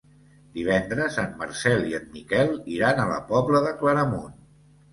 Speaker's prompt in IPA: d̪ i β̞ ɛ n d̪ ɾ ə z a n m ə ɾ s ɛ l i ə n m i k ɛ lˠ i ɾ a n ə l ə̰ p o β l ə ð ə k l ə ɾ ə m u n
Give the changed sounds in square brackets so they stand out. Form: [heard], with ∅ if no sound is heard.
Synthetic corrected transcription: d̪ i β̞ ɛ n d̪ ɾ ə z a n m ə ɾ s ɛ l i ə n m i k ɛ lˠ i ɾ a n ə l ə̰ p [ɔ] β l ə ð ə k l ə ɾ ə m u n